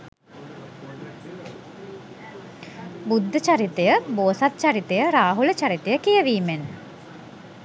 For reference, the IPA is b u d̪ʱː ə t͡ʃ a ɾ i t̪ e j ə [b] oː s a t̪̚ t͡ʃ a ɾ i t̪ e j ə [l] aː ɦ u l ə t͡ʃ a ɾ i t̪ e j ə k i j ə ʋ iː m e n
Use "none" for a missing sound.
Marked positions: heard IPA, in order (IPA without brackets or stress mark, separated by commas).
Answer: b, ɾ